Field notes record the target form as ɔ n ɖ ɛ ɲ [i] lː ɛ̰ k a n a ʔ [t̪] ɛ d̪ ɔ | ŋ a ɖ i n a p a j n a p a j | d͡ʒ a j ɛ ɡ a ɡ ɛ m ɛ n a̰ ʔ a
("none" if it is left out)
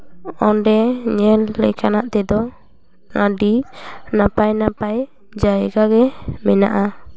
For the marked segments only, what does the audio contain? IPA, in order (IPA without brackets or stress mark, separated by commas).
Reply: ɛ, t̪